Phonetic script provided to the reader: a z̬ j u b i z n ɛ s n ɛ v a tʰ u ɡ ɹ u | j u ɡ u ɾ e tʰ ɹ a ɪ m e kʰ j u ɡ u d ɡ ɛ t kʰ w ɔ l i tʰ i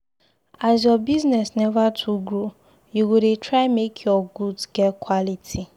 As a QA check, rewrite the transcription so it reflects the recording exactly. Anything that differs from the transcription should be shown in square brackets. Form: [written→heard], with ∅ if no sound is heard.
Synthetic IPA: a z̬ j [u→ɔ] b i z n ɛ s n ɛ v a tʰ u ɡ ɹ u | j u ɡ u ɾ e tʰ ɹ a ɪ m e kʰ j [u→ɔ] ɡ u d ɡ ɛ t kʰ w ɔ l i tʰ i

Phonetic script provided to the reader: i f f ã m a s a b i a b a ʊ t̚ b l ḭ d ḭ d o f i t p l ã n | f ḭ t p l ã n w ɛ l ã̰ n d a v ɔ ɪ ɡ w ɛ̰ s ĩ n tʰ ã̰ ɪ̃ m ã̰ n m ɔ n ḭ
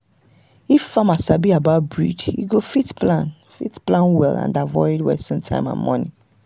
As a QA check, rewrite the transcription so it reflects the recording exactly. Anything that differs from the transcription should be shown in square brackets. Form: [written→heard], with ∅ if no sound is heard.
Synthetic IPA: i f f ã m a s a b i a b a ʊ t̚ b [l→ɹ] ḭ d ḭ [d→ɡ] o f i t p l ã n | f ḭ t p l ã n w ɛ l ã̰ n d a v ɔ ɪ [ɡ→d] w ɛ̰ s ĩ n tʰ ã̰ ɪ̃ m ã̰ n m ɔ n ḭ

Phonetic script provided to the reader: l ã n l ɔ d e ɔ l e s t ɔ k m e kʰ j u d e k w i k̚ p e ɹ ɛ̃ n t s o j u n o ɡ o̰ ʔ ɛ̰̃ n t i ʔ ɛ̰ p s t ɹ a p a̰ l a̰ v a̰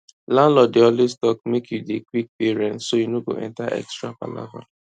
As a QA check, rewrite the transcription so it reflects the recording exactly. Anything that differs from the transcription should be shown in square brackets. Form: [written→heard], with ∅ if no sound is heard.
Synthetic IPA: l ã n l ɔ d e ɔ l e s t ɔ k m e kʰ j u d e k w i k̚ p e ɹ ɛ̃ n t s o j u n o ɡ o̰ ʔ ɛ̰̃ n t [i→a] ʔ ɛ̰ [p→k] s t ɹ a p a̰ l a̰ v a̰

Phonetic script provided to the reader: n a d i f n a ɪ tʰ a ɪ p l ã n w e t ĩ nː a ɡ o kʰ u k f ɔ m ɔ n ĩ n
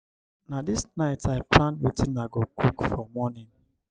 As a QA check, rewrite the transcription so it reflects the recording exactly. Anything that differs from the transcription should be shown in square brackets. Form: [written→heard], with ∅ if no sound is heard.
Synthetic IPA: n a d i [f→s] n a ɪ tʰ a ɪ p l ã n w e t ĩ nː a ɡ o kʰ u k f ɔ m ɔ n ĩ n

